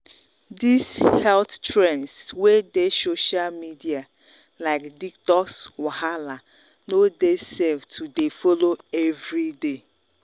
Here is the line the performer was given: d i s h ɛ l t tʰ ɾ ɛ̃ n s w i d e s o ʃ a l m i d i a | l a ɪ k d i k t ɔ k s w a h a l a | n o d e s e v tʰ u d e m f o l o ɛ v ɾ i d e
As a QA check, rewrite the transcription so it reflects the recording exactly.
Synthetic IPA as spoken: d i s h ɛ l t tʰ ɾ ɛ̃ n s w e d e s o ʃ a l m i d i a | l a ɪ k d i k t ɔ k s w a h a l a | n o d e s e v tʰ u d e f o l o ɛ v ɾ i d e